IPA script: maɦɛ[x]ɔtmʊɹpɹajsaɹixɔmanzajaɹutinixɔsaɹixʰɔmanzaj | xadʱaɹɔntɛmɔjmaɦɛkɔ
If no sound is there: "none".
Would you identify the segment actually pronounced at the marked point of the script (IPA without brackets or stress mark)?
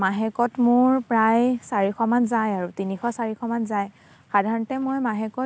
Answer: k